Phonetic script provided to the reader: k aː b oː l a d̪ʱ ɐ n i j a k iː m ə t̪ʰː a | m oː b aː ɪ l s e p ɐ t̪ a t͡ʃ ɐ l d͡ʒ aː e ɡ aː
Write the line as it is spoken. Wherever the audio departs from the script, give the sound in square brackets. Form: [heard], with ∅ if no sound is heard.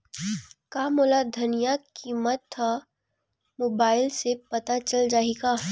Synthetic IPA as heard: k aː [m] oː l a d̪ʱ ɐ n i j a k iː m ə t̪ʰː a | m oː b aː ɪ l s e p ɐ t̪ a t͡ʃ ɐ l d͡ʒ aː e ɡ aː